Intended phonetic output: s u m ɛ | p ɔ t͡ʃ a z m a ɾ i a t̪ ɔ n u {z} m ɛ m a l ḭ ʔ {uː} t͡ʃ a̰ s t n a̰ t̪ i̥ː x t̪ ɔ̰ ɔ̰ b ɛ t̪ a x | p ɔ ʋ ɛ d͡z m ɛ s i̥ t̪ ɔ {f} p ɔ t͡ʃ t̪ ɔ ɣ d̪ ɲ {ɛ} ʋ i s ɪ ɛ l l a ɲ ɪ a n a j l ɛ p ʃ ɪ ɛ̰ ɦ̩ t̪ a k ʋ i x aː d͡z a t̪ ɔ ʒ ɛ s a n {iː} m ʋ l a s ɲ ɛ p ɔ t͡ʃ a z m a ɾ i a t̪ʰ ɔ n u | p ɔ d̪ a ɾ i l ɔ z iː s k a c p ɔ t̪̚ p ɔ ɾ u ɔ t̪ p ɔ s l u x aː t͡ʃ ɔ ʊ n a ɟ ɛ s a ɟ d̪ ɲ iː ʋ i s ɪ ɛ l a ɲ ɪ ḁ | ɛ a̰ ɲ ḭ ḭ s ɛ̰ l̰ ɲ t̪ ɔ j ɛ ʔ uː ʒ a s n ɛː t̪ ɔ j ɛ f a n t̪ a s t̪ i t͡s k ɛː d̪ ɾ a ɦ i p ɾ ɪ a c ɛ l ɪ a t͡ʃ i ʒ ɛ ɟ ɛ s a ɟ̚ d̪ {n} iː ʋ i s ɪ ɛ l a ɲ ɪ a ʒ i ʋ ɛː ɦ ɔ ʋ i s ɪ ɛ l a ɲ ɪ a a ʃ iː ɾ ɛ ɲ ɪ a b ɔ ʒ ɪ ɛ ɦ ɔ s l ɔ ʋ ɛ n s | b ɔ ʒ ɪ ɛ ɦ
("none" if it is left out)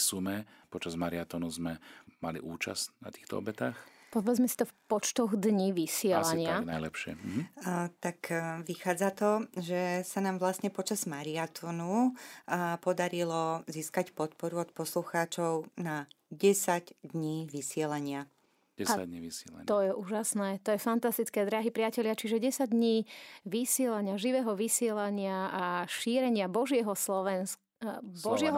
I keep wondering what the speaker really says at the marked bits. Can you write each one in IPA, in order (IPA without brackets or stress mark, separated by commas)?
z, uː, f, i, aː, ɲ